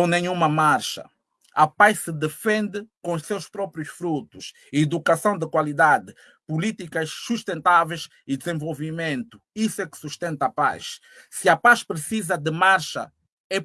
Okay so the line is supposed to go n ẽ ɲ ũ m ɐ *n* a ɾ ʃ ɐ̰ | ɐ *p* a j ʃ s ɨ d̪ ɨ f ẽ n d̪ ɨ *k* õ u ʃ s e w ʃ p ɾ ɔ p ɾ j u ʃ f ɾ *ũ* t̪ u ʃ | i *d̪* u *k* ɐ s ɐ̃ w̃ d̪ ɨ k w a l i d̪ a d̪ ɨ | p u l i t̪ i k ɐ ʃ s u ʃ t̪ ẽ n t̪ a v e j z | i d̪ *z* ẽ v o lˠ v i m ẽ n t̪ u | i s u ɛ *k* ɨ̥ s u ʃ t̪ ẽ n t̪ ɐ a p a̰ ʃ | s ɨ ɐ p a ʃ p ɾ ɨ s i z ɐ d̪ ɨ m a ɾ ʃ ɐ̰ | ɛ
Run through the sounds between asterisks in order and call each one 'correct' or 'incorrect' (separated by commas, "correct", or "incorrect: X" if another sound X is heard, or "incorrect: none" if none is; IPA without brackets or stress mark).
incorrect: m, correct, correct, incorrect: u, correct, correct, correct, correct